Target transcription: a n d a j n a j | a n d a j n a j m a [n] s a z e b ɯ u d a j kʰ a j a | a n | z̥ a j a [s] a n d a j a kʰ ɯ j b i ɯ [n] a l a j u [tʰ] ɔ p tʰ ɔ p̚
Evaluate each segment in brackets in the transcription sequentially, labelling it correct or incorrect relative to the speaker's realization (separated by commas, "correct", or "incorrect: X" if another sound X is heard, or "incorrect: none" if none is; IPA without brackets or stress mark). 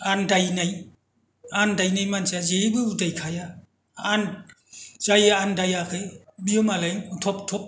correct, incorrect: none, incorrect: m, correct